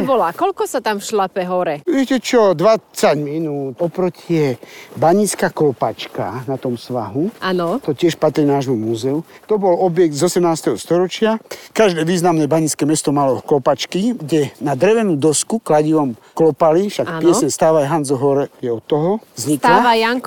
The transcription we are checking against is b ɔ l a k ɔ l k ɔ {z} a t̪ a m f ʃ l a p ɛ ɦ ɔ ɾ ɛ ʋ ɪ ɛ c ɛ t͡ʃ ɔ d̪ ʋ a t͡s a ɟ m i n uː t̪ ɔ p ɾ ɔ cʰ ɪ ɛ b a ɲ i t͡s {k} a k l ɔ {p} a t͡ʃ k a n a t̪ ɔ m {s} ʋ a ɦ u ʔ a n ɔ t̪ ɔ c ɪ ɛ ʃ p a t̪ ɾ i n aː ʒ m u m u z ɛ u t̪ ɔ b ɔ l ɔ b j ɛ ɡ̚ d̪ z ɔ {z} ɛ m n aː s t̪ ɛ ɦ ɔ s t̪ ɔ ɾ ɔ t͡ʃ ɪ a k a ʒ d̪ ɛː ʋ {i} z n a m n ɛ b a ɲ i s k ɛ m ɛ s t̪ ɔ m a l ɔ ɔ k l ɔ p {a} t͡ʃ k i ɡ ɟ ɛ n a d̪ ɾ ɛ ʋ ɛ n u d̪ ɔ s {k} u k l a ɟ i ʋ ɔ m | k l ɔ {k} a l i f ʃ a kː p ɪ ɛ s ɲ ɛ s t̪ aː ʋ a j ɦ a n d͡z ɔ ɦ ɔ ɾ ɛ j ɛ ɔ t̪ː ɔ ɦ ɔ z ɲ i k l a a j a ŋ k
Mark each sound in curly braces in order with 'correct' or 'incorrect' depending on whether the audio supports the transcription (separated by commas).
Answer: incorrect, correct, correct, correct, incorrect, incorrect, correct, correct, incorrect